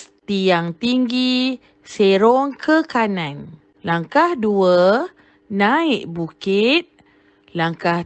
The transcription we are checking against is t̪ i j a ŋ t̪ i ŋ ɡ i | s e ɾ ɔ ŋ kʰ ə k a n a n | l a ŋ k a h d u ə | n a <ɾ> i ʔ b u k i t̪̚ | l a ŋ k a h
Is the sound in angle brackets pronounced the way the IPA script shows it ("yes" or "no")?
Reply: no